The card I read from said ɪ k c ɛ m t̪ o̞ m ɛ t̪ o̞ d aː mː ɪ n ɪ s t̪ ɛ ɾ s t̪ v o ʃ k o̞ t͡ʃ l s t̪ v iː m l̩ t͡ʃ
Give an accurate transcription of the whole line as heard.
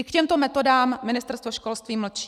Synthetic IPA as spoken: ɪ k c ɛ m t̪ o̞ m ɛ t̪ o̞ d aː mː ɪ n ɪ s t̪ ɛ ɾ s t̪ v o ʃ k o̞ l s t̪ v iː m l̩ t͡ʃ